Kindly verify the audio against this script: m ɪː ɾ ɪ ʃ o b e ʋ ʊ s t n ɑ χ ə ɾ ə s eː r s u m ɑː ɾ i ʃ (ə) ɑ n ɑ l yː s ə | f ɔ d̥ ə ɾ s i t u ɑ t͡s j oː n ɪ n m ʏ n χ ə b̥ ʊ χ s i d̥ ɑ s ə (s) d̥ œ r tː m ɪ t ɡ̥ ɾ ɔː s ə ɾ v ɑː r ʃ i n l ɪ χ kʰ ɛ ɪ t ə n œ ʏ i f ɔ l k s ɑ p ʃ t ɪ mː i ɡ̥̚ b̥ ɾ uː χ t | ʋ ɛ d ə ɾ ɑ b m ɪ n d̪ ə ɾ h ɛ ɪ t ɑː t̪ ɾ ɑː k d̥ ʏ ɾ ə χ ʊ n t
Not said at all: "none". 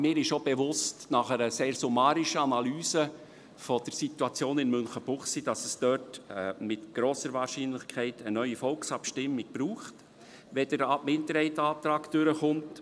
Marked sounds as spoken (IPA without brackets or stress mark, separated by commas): ə, s